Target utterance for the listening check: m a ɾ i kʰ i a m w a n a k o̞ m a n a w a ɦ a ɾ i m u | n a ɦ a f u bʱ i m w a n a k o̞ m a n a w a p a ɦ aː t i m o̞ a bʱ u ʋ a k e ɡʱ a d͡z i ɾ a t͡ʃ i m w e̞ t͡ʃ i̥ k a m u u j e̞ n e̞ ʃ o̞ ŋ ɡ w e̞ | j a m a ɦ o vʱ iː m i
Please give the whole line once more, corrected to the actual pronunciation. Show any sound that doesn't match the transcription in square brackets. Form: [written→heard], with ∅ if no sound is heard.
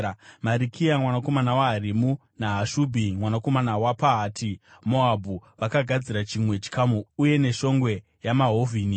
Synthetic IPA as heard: m a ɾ i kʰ i a m w a n a k o̞ m a n a w a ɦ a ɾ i m u | n a ɦ a [f→ʃ] u bʱ i m w a n a k o̞ m a n a w a p a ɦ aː t i m o̞ a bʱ u ʋ a k [e→a] ɡʱ a d͡z i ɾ a t͡ʃ i m w e̞ t͡ʃ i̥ k a m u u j e̞ n e̞ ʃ o̞ ŋ ɡ w e̞ | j a m a ɦ o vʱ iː [m→n] i